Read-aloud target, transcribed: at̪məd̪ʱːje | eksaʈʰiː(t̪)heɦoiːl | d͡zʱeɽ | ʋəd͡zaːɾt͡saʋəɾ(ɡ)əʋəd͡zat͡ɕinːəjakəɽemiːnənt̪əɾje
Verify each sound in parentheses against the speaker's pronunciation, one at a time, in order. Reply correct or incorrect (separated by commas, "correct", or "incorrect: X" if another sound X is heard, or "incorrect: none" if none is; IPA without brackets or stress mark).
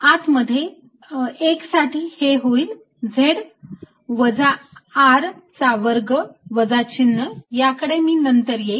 incorrect: none, correct